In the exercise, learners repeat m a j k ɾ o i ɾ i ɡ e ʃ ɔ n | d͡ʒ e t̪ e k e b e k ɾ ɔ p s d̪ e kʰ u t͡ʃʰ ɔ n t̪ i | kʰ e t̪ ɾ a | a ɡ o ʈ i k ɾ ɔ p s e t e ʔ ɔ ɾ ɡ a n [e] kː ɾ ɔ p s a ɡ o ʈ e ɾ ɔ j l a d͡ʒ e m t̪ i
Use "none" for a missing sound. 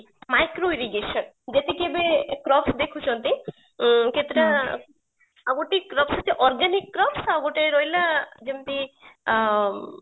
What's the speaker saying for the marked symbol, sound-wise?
i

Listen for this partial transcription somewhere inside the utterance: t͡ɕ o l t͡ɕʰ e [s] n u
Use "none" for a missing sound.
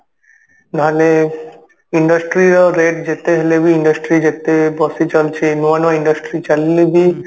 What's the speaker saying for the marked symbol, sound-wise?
none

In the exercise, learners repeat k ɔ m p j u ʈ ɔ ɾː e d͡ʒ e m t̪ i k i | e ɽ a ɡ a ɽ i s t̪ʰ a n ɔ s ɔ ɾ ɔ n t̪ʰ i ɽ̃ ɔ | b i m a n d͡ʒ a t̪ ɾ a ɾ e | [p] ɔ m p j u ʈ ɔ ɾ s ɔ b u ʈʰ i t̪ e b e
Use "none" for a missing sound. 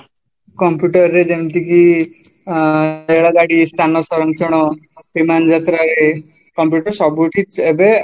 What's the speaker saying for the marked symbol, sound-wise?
k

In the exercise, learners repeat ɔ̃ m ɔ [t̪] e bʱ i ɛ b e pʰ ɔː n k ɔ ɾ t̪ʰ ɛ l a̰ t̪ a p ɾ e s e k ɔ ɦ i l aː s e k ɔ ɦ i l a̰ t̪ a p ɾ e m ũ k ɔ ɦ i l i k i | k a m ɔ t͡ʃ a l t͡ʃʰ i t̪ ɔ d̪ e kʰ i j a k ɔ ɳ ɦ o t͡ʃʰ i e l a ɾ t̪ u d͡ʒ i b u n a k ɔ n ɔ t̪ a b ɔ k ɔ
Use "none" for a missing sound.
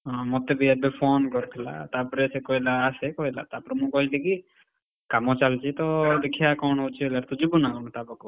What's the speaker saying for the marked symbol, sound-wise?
t̪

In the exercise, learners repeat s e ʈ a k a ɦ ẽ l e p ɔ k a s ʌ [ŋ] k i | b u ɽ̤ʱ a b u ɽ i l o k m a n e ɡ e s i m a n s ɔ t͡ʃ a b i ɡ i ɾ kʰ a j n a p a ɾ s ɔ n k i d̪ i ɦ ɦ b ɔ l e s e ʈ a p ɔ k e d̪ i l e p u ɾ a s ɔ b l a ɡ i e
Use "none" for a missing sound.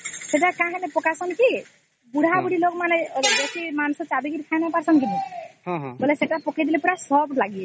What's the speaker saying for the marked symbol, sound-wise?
n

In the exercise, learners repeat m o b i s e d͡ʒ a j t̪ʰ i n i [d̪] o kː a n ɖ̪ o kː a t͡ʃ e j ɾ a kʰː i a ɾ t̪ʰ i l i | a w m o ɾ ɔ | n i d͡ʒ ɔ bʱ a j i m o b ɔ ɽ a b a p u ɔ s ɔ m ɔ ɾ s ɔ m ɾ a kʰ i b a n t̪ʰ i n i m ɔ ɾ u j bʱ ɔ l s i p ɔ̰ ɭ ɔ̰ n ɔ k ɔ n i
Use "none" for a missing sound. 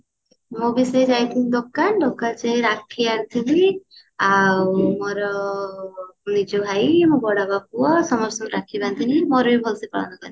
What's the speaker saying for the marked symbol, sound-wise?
d̪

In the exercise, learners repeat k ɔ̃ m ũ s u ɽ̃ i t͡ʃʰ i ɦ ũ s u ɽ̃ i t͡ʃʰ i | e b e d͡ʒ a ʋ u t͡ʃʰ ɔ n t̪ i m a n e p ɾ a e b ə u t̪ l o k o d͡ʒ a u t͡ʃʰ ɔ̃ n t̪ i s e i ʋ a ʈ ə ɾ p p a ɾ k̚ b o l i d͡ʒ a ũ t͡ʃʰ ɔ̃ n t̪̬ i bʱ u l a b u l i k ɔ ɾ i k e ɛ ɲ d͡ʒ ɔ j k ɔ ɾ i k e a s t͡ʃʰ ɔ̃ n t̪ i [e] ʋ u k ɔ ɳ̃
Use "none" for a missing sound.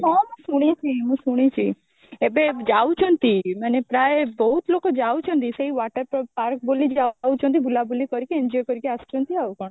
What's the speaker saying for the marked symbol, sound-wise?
a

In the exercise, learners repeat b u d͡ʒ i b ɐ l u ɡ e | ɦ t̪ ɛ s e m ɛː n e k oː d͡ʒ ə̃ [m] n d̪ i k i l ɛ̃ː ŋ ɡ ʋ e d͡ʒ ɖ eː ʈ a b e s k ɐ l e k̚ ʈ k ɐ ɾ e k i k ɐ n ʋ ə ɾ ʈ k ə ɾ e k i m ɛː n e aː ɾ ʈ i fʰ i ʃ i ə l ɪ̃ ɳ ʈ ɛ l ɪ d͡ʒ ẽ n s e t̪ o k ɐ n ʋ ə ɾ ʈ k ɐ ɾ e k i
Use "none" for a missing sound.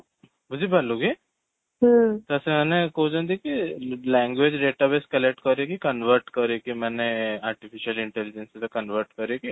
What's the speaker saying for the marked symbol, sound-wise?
none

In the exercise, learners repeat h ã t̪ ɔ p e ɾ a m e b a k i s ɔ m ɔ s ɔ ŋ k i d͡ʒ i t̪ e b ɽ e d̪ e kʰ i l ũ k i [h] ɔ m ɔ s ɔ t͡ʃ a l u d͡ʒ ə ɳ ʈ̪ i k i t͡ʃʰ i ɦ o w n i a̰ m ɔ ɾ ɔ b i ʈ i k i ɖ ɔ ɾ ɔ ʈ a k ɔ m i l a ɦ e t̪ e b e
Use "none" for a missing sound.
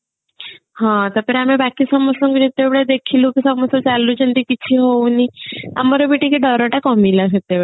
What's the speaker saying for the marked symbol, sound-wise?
s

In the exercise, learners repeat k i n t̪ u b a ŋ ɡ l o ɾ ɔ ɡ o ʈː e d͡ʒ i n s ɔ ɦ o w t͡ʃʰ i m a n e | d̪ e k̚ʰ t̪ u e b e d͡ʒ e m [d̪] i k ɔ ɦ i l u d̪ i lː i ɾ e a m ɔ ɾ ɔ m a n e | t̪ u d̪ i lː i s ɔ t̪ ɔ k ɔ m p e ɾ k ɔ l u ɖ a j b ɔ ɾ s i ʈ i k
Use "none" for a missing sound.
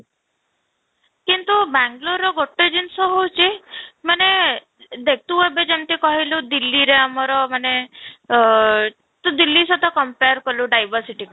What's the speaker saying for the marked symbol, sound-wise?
t̪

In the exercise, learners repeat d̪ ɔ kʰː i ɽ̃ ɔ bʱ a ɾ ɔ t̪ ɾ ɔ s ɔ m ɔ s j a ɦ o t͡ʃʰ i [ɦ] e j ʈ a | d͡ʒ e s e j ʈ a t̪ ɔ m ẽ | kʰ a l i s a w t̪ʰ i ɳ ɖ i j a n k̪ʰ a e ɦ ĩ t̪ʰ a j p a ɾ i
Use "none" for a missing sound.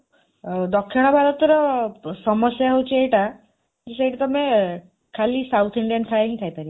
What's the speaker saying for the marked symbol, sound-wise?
none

